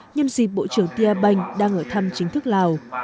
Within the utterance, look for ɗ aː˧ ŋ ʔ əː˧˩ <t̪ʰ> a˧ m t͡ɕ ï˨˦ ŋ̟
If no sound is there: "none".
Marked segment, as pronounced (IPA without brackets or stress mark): t̪ʰ